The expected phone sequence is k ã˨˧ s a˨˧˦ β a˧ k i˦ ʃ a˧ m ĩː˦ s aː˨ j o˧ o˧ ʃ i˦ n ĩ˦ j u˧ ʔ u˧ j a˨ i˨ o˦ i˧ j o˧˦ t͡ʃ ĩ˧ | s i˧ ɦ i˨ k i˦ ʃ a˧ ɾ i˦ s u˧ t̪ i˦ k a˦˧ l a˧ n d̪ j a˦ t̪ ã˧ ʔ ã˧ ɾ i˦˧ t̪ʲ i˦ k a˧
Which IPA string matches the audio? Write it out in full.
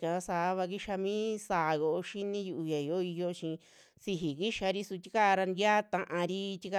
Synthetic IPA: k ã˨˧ s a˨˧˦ β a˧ k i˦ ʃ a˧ m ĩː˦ s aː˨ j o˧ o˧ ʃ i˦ n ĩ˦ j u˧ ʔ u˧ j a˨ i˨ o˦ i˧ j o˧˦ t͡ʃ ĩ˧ | s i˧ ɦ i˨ k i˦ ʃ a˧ ɾ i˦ s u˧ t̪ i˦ k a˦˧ ɾ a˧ n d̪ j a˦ t̪ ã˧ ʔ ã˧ ɾ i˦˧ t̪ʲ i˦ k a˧